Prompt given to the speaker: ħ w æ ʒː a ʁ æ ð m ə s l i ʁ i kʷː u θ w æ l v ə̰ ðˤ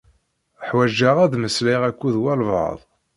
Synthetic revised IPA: ħ w æ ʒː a ʁ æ ð m ə s l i ʁ æ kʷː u ð w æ l v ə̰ ðˤ